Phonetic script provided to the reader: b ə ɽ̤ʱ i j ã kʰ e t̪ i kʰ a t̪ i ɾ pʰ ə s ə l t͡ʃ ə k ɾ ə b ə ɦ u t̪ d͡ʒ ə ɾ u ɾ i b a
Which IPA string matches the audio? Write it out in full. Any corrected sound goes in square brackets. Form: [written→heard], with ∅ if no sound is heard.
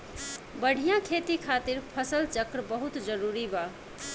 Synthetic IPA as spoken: b ə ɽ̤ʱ i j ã kʰ e t̪ i kʰ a t̪ i ɾ pʰ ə s ə l t͡ʃ ə k ɾ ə b ə ɦ u t̪ d͡ʒ ə ɾ u ɾ i b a